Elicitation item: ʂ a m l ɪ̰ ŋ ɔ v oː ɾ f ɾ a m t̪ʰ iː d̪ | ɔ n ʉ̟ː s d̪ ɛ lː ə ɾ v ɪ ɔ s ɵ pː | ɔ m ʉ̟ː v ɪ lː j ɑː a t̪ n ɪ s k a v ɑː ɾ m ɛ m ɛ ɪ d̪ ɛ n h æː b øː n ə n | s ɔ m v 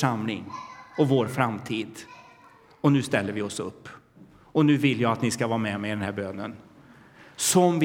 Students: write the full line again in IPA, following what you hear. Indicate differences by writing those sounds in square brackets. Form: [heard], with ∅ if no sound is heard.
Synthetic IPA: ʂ a m l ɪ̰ ŋ ɔ v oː ɾ f ɾ a m t̪ʰ iː d̪ | ɔ n ʉ̟ː s [t̪] ɛ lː ə ɾ v ɪ ɔ s ɵ pː | ɔ [n] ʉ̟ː v ɪ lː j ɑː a t̪ n ɪ s k a v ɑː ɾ m ɛ m ɛ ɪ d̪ ɛ n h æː b øː n ə n | s ɔ m v